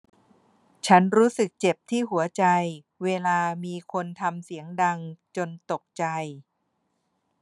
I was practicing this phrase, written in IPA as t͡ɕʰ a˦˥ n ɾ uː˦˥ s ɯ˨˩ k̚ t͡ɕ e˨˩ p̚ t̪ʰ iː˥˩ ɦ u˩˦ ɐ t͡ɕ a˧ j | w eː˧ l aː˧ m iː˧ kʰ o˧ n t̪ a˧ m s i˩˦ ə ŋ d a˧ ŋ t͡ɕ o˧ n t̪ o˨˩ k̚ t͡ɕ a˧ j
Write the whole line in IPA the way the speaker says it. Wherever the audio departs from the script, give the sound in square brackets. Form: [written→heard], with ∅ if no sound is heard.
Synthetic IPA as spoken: t͡ɕʰ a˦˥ n ɾ uː˦˥ s ɯ˨˩ k̚ t͡ɕ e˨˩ p̚ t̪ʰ iː˥˩ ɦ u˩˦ ɐ t͡ɕ a˧ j | w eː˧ l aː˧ m iː˧ kʰ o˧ n [t̪→t̪ʰ] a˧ m s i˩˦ ə ŋ d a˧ ŋ t͡ɕ o˧ n t̪ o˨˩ k̚ t͡ɕ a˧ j